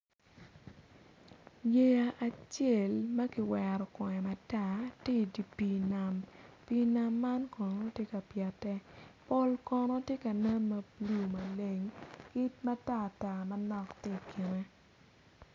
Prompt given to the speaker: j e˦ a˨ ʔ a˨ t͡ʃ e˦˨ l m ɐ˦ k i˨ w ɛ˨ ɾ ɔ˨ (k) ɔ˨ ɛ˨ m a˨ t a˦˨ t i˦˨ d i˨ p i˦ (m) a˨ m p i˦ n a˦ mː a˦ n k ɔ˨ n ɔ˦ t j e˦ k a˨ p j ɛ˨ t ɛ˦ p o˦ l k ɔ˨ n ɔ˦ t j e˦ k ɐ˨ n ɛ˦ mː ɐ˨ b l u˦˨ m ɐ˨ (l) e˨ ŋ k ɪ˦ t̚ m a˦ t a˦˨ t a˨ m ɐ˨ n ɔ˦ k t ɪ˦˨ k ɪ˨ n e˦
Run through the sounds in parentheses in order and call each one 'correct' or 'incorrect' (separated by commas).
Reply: correct, incorrect, correct